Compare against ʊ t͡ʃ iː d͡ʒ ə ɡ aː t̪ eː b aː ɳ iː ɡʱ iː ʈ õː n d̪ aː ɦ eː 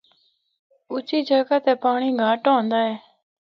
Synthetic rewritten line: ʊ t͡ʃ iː d͡ʒ ə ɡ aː t̪ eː p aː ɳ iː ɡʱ aː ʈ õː n d̪ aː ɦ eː